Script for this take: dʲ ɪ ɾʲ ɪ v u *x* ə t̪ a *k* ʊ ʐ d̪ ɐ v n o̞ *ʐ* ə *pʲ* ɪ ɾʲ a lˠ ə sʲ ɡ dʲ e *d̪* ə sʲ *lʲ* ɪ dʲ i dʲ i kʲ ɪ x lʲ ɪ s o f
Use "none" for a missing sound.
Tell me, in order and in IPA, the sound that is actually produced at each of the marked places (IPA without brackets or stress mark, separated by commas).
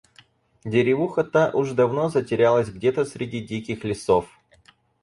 x, ʔ, z, tʲ, t̪, ɾʲ